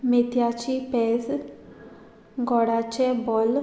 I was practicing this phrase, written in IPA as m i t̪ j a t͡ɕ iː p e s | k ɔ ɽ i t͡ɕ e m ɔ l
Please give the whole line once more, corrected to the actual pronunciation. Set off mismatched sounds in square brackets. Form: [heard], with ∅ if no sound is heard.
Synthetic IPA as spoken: m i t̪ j a t͡ɕ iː p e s | [ɡ] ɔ ɽ [a] t͡ɕ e [b] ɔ l